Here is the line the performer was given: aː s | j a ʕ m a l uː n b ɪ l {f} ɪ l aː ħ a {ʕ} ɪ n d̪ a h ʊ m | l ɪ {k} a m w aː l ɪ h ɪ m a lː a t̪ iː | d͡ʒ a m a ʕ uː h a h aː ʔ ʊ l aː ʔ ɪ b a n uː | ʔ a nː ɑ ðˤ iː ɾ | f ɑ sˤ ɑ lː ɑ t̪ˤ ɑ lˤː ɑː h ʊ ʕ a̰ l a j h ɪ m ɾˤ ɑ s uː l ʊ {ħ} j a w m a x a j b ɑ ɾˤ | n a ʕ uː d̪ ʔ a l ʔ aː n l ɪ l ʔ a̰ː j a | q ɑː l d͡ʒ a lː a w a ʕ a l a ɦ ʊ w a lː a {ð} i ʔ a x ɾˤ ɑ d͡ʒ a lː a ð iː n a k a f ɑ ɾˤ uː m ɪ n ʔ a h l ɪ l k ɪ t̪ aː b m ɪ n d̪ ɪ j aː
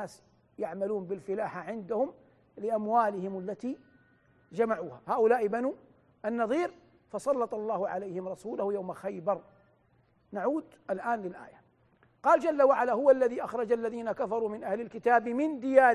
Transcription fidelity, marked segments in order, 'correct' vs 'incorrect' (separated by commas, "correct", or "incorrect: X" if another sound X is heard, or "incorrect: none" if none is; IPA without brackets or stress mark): correct, correct, incorrect: ʔ, incorrect: h, correct